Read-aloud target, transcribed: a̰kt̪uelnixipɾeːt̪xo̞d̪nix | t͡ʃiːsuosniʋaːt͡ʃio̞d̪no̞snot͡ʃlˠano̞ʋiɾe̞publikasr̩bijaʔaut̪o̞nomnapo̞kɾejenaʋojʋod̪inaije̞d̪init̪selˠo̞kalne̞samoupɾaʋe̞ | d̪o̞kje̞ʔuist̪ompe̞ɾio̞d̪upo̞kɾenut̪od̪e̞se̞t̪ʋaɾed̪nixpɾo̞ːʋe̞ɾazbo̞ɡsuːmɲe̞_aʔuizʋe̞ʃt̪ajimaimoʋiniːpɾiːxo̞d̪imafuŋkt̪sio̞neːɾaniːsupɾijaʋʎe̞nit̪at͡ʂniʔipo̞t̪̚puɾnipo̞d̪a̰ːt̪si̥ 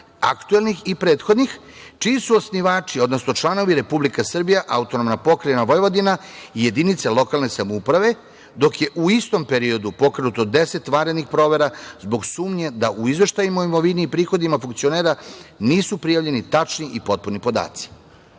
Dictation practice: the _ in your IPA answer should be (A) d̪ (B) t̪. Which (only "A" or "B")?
A